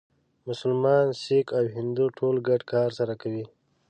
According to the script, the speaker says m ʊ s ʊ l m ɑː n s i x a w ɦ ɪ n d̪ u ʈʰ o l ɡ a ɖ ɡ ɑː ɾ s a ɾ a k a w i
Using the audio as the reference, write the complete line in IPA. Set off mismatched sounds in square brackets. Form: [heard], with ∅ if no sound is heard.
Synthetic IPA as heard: m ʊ s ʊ l m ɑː n s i [k] a w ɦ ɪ n d̪ u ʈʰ o l ɡ a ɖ [k] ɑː ɾ s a ɾ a k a w i